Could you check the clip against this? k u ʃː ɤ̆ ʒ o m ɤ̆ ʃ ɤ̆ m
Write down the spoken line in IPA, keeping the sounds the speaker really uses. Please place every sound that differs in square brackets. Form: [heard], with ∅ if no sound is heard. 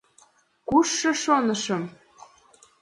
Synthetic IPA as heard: k u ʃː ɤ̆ [ʃ] o [n] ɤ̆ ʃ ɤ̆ m